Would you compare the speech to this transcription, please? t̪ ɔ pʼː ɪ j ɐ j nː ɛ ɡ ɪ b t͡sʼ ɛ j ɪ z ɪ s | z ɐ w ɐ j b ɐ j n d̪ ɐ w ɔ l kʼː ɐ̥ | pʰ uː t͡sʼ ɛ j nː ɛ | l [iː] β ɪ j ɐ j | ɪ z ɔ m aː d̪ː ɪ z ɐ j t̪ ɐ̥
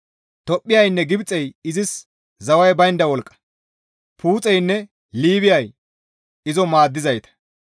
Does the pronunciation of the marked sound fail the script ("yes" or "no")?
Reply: no